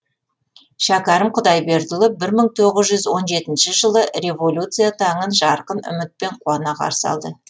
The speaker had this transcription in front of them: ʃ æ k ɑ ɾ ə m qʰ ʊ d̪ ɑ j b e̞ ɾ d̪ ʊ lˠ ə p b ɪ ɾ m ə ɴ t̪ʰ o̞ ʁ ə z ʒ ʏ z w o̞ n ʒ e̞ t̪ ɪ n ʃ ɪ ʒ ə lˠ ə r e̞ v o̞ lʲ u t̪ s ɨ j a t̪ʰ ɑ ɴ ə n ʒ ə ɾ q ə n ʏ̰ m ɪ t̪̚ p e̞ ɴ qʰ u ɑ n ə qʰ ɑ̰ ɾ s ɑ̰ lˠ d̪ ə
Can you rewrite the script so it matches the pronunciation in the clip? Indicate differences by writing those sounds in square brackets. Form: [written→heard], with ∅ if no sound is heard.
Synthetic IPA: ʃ æ k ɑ ɾ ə m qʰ ʊ d̪ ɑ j b e̞ ɾ d̪ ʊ lˠ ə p b ɪ ɾ m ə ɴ t̪ʰ o̞ ʁ ə z ʒ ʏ z w o̞ n ʒ e̞ t̪ ɪ n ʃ ɪ ʒ ə lˠ ə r e̞ v o̞ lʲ u t̪ s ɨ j a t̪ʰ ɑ ɴ ə n ʒ [ə→ɑ] ɾ q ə n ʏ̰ m ɪ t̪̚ p e̞ ɴ qʰ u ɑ n [ə→ɑ] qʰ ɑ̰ ɾ s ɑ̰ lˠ d̪ ə